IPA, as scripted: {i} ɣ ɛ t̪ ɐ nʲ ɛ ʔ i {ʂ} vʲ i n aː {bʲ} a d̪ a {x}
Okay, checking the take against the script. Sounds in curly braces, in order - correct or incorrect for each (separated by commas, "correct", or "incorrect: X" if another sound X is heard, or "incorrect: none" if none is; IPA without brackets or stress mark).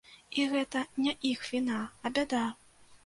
correct, incorrect: x, correct, incorrect: none